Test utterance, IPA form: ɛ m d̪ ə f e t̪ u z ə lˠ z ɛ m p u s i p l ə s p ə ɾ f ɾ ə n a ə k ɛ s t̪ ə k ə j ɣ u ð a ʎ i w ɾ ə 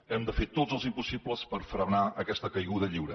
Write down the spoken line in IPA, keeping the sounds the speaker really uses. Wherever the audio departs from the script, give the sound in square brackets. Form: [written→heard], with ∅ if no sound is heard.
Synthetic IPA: ɛ m d̪ ə f e t̪ [u→o] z ə lˠ z [ɛ→i] m p u s i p l ə s p ə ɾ f ɾ ə n a ə k ɛ s t̪ ə k ə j ɣ u ð [a→ə] ʎ i w ɾ ə